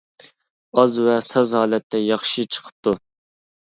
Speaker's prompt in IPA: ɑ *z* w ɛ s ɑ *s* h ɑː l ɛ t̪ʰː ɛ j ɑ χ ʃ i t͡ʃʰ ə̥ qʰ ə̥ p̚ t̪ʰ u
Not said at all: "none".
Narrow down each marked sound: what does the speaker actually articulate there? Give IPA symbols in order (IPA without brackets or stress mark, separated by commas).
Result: z, z